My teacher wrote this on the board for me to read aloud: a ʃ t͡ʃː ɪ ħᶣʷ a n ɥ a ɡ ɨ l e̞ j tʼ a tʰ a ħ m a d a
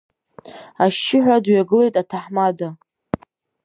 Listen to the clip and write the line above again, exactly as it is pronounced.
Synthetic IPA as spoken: a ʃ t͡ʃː ɪ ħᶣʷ a d ɥ a ɡ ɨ l e̞ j tʼ a tʰ a ħ m a d a